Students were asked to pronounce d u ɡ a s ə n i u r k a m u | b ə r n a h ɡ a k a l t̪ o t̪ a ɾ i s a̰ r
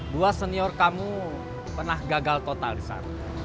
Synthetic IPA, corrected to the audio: d u a s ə n i ɔ r k a m u | p ə r n a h ɡ a ɡ a l t̪ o t̪ a l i s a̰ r